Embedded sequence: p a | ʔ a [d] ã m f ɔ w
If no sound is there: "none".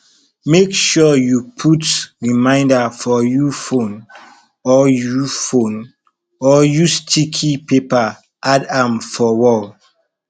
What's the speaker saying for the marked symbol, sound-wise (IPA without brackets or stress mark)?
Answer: d